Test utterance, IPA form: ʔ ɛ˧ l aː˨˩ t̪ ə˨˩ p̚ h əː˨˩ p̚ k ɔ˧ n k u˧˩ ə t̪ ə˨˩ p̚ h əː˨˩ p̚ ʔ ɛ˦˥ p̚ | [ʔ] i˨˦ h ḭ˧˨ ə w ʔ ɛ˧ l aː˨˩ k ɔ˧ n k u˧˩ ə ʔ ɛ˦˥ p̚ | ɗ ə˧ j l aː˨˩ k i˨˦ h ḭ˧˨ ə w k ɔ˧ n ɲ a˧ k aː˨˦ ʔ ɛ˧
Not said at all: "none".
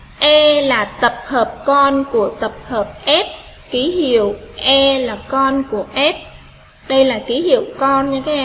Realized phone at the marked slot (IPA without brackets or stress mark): k